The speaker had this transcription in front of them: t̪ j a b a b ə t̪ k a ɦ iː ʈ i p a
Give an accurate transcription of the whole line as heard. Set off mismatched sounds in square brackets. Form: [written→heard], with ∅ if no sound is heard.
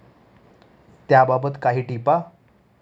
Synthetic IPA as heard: t̪ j a b a b ə t̪ k a ɦ iː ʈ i p a